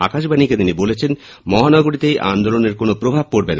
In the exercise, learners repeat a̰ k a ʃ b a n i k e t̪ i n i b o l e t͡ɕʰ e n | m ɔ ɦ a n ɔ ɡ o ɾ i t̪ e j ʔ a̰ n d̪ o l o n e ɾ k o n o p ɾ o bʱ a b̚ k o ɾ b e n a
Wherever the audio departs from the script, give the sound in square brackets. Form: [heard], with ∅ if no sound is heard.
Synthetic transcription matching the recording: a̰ k a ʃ b a n i k e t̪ i n i b o l e t͡ɕʰ e n | m ɔ ɦ a n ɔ ɡ o ɾ i t̪ e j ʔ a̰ n d̪ o l o n e ɾ k o n o p ɾ o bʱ a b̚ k o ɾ b e n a